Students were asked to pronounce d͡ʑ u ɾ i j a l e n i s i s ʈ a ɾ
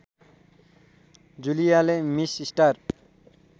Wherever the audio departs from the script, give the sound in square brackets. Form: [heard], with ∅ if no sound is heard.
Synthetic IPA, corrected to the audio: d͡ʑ u [l] i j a l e [m] i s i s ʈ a ɾ